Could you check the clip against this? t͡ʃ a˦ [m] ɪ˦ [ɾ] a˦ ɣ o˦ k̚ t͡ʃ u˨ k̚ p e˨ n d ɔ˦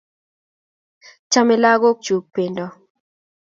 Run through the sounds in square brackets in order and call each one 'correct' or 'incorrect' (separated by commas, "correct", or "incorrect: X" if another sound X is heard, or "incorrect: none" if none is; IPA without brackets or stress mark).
correct, incorrect: l